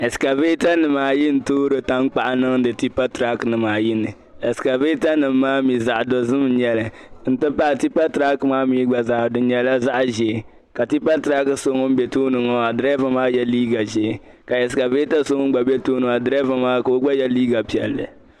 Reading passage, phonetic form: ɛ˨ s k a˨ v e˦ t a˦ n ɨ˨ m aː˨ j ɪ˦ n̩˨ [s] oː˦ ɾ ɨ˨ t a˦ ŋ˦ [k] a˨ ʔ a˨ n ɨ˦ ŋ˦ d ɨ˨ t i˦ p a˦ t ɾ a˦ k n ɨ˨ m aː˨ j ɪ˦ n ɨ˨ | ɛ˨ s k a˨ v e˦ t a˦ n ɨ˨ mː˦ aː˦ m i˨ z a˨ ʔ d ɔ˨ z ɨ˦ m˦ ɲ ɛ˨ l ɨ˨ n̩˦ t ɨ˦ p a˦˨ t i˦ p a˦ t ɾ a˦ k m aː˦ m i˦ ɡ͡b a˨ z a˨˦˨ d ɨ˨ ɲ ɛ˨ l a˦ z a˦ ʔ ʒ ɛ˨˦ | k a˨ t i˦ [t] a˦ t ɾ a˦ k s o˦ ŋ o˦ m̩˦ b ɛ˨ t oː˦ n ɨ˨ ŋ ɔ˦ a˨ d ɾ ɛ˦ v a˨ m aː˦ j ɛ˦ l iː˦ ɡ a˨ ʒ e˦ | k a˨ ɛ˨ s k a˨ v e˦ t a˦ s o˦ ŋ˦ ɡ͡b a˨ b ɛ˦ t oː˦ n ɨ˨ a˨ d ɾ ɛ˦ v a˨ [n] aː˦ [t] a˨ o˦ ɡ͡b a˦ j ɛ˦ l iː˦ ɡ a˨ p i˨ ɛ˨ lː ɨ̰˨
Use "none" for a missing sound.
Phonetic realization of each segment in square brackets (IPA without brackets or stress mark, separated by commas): t, k͡p, p, m, k